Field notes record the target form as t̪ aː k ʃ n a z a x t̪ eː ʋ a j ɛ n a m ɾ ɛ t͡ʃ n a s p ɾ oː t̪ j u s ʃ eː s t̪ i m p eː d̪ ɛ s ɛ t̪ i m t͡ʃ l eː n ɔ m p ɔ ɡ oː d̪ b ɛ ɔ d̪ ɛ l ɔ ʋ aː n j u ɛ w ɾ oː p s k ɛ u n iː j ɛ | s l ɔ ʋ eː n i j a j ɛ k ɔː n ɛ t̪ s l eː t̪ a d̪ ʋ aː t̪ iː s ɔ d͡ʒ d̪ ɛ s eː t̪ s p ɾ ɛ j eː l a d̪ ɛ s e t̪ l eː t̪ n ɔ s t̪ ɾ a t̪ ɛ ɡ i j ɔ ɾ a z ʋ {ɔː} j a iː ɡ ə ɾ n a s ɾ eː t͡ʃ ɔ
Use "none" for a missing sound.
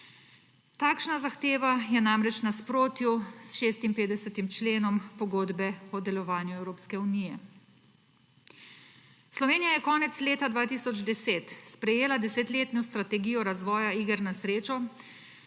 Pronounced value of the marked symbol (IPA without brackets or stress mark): ɔː